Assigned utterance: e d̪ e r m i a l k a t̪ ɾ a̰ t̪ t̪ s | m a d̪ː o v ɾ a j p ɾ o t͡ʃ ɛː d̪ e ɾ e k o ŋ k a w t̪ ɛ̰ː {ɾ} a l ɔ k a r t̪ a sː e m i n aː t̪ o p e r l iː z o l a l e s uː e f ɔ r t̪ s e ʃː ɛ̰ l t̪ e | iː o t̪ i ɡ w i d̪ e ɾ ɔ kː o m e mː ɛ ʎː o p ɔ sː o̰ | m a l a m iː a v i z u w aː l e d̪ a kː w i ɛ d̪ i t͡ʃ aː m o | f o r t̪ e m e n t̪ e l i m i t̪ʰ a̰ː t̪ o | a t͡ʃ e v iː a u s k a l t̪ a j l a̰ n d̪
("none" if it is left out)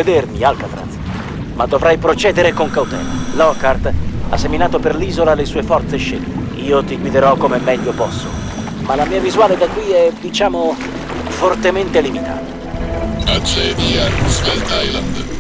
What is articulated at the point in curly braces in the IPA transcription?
l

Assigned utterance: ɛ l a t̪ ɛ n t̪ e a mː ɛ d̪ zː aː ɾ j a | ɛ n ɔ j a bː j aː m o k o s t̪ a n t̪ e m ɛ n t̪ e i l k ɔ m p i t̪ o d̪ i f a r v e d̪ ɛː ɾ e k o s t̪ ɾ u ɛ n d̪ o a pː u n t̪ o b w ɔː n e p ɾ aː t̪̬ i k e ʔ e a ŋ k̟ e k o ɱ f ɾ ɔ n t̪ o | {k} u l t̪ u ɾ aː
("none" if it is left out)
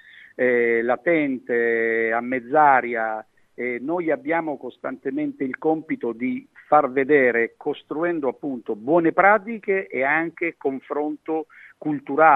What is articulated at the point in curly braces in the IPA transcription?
k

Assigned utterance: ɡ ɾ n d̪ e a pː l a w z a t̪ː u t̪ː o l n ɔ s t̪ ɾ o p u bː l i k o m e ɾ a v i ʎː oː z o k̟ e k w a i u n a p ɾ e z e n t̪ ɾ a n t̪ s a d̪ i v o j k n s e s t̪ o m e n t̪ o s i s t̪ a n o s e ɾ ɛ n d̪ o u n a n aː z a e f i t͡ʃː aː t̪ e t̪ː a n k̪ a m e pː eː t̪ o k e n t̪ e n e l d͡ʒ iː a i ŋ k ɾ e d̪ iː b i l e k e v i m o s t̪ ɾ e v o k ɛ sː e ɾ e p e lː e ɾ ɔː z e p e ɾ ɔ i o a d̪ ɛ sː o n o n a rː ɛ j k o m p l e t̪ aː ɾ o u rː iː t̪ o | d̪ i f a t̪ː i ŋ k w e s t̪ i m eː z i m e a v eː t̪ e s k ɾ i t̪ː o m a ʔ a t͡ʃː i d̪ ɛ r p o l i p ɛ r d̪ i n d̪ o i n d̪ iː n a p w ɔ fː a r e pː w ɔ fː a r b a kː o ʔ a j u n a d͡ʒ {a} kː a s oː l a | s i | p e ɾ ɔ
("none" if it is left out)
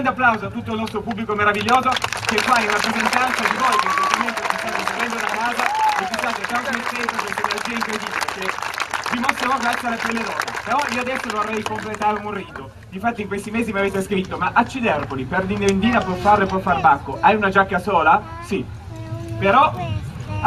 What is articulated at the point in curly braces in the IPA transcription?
a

